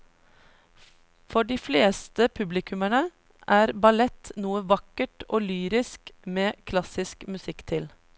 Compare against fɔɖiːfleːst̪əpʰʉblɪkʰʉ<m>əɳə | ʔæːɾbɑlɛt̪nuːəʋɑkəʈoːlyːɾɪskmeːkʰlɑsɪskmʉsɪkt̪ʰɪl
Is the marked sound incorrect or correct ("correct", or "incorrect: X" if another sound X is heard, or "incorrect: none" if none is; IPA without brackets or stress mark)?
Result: correct